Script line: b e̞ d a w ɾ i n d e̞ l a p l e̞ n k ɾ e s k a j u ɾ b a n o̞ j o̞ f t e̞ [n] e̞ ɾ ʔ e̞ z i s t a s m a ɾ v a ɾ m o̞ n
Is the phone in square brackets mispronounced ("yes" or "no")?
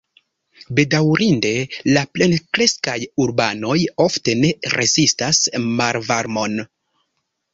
no